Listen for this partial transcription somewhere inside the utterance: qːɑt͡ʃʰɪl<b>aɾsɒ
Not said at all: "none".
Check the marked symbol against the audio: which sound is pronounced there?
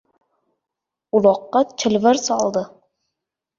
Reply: v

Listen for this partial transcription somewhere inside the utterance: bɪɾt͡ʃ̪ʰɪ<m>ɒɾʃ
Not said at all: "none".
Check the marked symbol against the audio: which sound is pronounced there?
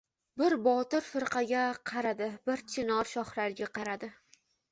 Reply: n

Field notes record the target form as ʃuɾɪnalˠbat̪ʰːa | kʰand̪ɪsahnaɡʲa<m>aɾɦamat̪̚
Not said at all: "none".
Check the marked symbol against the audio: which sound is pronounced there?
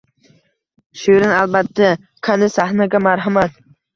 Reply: m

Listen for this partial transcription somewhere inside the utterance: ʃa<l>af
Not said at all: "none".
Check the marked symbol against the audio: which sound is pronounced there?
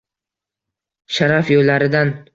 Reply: ɾ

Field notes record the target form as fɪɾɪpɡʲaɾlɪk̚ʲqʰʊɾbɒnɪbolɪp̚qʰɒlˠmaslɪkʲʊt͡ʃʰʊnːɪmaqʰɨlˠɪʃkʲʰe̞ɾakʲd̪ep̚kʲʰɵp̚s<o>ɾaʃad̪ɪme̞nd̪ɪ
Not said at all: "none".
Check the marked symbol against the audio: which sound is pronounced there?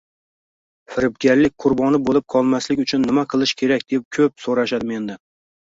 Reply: o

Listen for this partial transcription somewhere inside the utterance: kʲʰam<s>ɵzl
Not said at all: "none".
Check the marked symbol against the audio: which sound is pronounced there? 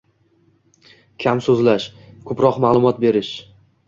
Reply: s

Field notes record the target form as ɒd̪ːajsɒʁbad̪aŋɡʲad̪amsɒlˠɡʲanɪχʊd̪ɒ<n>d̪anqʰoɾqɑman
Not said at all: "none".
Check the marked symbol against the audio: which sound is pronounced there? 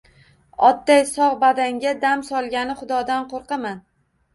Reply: none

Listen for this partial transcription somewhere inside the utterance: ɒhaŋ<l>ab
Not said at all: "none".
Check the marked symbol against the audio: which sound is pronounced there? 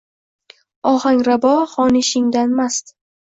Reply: ɾ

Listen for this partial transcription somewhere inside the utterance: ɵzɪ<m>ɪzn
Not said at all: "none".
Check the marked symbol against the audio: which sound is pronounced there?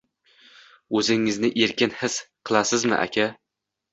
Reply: ŋ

